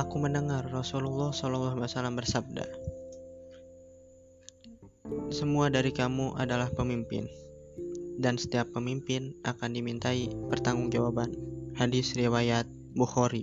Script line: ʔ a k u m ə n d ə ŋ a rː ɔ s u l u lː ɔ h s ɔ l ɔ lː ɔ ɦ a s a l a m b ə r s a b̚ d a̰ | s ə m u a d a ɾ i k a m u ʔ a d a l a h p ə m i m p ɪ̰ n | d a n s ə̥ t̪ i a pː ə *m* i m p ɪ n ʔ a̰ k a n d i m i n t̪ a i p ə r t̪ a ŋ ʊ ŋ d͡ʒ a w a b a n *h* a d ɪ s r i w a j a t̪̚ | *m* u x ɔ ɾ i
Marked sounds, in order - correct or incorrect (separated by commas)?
correct, correct, incorrect